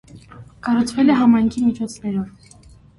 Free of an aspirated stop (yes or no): no